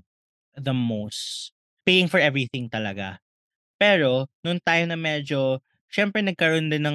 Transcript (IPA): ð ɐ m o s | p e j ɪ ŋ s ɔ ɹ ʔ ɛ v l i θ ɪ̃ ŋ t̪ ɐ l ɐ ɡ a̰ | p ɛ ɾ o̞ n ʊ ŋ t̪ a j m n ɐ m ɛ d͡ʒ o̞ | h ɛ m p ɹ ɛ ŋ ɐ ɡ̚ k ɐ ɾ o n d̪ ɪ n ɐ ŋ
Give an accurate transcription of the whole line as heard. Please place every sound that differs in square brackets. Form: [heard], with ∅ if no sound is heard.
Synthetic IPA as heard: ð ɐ m o s | p e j ɪ ŋ [f] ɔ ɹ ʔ ɛ v [ɹ] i θ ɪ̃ ŋ t̪ ɐ l ɐ ɡ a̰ | p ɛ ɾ o̞ n ʊ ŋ t̪ a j m n ɐ m ɛ d͡ʒ o̞ | [ʃ] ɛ m p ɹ ɛ [n] ɐ ɡ̚ k ɐ ɾ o n d̪ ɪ n ɐ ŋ